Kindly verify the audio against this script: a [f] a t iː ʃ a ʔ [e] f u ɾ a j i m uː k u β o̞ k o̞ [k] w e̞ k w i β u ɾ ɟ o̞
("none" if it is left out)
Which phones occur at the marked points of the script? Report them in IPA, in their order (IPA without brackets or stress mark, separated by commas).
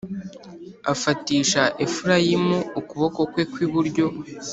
f, e, k